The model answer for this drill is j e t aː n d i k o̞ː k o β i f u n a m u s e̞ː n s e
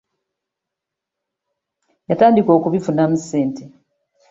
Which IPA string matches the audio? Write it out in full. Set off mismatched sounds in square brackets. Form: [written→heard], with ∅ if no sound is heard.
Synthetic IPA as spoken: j [e→a] t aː n d i k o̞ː k [o→u] β i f u n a m u s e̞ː n [s→t] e